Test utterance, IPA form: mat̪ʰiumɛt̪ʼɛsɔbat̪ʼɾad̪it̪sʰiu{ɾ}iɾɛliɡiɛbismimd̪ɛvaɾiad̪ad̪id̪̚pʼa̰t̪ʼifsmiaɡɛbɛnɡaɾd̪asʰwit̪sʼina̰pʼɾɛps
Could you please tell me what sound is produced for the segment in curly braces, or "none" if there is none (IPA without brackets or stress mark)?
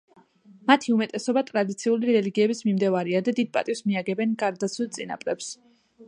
l